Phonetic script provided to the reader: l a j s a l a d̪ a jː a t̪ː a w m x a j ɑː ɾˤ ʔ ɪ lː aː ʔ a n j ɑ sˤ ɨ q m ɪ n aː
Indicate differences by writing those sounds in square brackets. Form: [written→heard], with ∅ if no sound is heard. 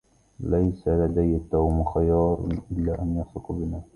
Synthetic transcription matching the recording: l a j s a l a d̪ a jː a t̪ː a w m x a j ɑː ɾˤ ʔ ɪ lː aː ʔ a n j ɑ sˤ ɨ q [m→b] ɪ n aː